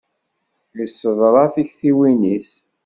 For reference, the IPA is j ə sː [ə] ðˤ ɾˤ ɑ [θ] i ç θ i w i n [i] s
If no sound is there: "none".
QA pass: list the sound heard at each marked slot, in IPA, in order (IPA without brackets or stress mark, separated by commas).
ə, θ, i